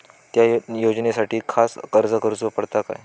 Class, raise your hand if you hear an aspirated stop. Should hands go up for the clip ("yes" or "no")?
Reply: yes